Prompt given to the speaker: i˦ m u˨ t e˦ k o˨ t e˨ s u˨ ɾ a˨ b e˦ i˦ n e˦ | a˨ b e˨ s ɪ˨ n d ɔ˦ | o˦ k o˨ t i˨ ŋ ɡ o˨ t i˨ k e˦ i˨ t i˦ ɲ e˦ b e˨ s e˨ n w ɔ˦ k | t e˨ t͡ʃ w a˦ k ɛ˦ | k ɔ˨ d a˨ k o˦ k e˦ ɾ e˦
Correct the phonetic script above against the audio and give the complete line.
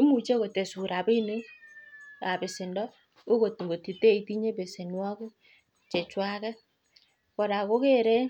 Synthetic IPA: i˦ m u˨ t͡ʃ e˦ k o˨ t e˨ s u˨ ɾ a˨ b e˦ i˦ n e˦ | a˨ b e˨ s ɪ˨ n d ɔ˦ | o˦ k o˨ t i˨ ŋ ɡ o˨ t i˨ t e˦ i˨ t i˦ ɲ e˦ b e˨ s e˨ n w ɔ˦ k | t͡ʃ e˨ t͡ʃ w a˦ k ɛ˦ | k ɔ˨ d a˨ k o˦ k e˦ ɾ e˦